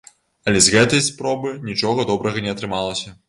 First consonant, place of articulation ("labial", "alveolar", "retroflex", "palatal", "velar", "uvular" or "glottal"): alveolar